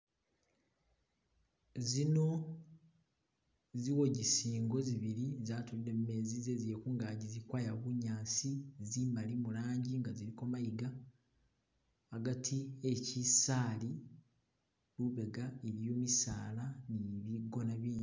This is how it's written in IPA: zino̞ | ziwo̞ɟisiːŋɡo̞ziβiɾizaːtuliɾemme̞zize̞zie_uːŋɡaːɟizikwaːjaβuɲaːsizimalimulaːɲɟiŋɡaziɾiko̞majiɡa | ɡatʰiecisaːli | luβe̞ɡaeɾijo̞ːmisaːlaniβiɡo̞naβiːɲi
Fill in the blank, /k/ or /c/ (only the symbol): k